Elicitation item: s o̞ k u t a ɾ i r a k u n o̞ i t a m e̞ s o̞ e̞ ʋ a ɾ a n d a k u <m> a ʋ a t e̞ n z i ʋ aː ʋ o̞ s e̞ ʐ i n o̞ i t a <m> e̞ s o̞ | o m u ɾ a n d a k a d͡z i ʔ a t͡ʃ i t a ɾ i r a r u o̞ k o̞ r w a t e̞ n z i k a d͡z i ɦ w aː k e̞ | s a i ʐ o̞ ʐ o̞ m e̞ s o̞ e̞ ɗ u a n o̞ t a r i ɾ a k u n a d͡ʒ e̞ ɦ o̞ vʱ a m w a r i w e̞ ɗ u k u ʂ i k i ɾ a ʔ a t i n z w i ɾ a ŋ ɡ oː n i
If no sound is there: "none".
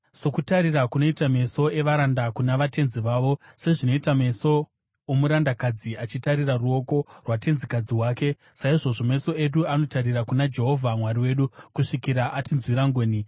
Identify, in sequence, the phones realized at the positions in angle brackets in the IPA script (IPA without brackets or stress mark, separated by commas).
n, m